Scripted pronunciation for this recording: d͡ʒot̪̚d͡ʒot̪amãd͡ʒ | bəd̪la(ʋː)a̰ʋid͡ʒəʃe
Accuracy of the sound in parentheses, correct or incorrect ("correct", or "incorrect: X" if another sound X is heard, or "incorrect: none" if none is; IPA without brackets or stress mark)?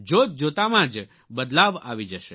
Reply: incorrect: ʋ